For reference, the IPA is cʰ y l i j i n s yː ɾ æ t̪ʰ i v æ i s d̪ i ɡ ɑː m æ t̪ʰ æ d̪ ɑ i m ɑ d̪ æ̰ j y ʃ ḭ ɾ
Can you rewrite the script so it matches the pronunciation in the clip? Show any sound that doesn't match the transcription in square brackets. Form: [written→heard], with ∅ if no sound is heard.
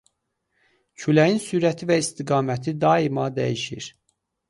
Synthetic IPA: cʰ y l [i→æ] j i n s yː ɾ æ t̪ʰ i v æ i s [d̪→t̪] i ɡ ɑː m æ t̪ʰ [æ→i] d̪ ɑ i m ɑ d̪ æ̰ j [y→i] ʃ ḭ ɾ